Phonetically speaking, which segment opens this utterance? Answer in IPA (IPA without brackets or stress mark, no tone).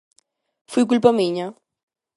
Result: f